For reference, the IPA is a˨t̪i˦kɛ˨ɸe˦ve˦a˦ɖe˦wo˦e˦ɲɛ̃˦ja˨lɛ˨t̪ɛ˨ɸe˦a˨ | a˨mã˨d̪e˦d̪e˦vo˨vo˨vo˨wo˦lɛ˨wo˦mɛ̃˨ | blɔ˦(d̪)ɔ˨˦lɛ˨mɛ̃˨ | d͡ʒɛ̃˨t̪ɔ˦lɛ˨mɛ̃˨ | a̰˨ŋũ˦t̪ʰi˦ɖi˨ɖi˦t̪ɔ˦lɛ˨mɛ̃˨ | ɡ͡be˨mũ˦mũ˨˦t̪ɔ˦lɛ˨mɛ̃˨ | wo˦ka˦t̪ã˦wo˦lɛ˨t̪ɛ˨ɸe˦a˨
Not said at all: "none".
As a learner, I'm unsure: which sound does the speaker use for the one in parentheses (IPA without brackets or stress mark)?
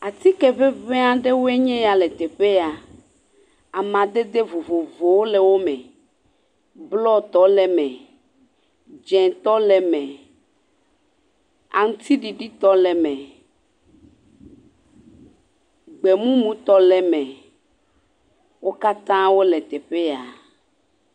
t̪